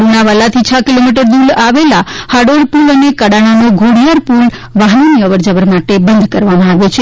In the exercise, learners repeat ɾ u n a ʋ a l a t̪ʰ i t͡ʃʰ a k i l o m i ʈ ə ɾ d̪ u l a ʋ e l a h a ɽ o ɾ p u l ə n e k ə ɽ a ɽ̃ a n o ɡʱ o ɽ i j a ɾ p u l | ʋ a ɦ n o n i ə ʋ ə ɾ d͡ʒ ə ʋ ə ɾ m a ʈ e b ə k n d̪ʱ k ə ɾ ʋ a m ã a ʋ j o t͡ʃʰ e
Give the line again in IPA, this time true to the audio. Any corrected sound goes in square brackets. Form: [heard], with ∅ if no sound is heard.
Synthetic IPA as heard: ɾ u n a ʋ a l a t̪ʰ i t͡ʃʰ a k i l o m i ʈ ə ɾ d̪ u l a ʋ e l a h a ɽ o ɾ p u l ə n e k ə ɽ a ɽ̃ a n o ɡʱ o ɽ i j a ɾ p u l | ʋ a ɦ n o n i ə ʋ ə ɾ d͡ʒ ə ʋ ə ɾ m a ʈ e b ə [∅] n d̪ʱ k ə ɾ ʋ a m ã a ʋ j o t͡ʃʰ e

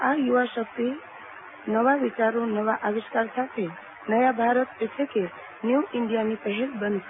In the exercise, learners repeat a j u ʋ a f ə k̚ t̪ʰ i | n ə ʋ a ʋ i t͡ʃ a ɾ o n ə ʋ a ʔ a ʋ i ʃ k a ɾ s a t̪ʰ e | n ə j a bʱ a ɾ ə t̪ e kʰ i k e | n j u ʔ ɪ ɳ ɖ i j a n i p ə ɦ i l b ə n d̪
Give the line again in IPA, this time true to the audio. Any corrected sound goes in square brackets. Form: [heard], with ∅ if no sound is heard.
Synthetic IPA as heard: a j u ʋ a [ʃ] ə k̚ [t̪] i | n ə ʋ a ʋ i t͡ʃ a ɾ o n ə ʋ a ʔ a ʋ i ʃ k a ɾ s a t̪ʰ e | n ə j a bʱ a ɾ ə t̪ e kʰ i k e | n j u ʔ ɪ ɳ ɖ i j a n i p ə ɦ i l b ə n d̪

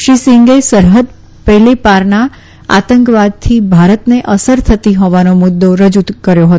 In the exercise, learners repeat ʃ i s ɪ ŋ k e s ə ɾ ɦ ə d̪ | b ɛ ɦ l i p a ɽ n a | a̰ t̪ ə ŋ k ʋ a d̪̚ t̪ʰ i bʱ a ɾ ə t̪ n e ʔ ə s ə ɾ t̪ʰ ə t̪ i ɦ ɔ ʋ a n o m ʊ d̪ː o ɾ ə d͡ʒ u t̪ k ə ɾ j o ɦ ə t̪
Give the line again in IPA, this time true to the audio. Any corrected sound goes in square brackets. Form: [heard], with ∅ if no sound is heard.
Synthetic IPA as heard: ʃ i s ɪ ŋ [ɡ] e s ə ɾ ɦ ə d̪ | [p] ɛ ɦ l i p a [ɾ] n a | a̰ t̪ ə ŋ k ʋ a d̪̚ t̪ʰ i bʱ a ɾ ə t̪ n e ʔ ə s ə ɾ t̪ʰ ə t̪ i ɦ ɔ ʋ a n o m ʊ d̪ː o ɾ ə d͡ʒ u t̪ k ə ɾ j o ɦ ə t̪

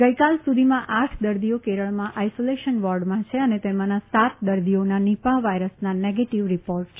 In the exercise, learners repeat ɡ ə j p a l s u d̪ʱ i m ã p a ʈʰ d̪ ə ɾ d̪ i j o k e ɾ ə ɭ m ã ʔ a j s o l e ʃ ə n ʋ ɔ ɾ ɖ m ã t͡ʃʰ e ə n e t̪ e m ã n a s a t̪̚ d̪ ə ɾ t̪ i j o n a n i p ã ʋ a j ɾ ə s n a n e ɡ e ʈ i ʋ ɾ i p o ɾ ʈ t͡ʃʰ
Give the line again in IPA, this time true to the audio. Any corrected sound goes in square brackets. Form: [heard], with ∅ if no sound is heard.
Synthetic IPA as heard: ɡ ə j [k] a l s u d̪ʱ i m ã [ʔ] a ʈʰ d̪ ə ɾ d̪ i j o k e ɾ ə ɭ m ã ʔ a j s o l e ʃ ə n ʋ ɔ ɾ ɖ m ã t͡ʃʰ e ə n e t̪ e m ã n a s a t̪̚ d̪ ə ɾ [d̪] i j o n a n i p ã ʋ a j ɾ ə s n a n e ɡ e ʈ i ʋ ɾ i p o ɾ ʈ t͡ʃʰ

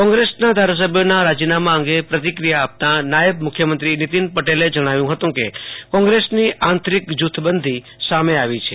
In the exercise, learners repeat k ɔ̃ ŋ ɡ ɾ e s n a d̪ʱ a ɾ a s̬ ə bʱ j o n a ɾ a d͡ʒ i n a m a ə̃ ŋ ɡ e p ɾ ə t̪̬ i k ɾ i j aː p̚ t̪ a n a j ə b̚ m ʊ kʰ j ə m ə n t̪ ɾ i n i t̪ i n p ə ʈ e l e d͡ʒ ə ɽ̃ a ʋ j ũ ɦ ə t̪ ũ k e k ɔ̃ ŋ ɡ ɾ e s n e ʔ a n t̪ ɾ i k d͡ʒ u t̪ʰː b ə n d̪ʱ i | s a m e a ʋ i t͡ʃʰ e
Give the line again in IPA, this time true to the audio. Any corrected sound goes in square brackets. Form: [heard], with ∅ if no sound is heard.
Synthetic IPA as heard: k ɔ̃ ŋ ɡ ɾ e s n a d̪ʱ a ɾ a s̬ ə bʱ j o n a ɾ a d͡ʒ i n a m a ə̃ ŋ ɡ e p ɾ ə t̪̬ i k ɾ i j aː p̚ t̪ a n a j ə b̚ m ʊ kʰ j ə m ə n t̪ ɾ i n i t̪ i n p ə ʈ e l e d͡ʒ ə ɽ̃ a ʋ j ũ ɦ ə t̪ ũ k e k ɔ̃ ŋ ɡ ɾ e s n [i] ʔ a n t̪ ɾ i k d͡ʒ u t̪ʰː b ə n d̪ʱ i | s a m e a ʋ i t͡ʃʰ e

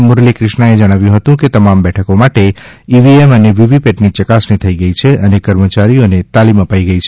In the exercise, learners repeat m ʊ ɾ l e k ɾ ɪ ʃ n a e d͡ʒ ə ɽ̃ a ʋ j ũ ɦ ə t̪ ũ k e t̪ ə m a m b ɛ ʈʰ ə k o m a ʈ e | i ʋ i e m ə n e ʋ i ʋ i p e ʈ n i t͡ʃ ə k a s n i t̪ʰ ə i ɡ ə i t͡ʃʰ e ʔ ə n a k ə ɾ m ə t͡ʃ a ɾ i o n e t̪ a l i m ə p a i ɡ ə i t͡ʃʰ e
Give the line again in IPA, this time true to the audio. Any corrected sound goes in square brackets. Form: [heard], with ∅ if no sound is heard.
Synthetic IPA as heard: m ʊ ɾ l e k ɾ ɪ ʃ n a e d͡ʒ ə ɽ̃ a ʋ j ũ ɦ ə t̪ ũ k e t̪ ə m a m b ɛ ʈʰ ə k o m a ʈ e | i ʋ i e m ə n e ʋ i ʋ i p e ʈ n i t͡ʃ ə k a s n i t̪ʰ ə i ɡ ə i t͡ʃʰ e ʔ ə n [e] k ə ɾ m ə t͡ʃ a ɾ i o n e t̪ a l i m ə p a i ɡ ə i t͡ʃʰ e

